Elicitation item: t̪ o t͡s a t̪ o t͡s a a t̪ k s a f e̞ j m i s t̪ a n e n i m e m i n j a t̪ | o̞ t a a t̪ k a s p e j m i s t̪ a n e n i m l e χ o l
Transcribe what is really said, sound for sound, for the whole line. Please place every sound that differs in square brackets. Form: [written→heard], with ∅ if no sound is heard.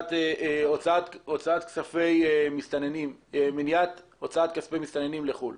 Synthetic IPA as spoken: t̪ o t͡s a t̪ o t͡s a a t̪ k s a f e̞ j m i s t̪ a n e n i m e m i n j a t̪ | o̞ [t→t͡s] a a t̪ k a s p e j m i s t̪ a n e n i m l e χ [o→u] l